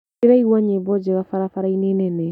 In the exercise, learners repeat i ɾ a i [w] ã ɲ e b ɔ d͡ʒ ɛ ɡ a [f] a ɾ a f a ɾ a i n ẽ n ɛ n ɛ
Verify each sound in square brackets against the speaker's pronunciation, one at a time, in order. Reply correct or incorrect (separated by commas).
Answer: correct, correct